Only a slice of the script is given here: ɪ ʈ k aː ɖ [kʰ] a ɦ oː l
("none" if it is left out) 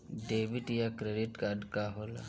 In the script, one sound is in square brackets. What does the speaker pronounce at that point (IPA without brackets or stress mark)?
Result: k